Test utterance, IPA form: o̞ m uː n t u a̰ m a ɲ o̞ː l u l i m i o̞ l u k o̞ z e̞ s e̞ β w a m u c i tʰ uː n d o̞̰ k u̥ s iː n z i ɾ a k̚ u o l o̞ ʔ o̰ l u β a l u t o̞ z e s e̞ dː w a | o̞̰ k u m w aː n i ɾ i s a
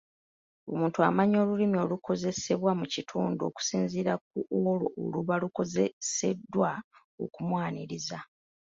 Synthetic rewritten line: o̞ m uː n t u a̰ m a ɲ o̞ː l u l i m i o̞ l u k o̞ z e̞ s e̞ β w a m u c i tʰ uː n d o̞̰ k u̥ s iː n z i ɾ a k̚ u o l o̞ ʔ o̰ l u β a l u k o̞ z e s e̞ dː w a | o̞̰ k u m w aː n i ɾ i z a